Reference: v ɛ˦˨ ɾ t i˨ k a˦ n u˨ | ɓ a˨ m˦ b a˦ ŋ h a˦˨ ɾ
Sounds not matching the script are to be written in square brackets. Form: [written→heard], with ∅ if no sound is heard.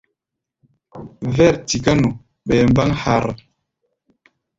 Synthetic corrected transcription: v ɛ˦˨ ɾ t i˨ k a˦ n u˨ | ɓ [a˨→ɛ˨] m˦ b a˦ ŋ h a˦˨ ɾ